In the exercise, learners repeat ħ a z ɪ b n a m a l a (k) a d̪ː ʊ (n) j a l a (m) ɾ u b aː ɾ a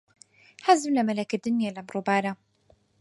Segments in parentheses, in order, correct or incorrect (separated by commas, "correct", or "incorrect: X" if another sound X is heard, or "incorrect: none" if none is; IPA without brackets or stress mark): correct, correct, correct